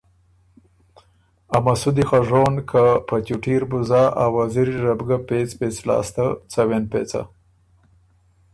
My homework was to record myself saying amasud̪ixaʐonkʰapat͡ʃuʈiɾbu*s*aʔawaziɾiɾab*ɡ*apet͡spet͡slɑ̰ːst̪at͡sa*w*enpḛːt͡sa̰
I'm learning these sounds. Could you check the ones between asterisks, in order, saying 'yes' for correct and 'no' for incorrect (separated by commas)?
no, yes, yes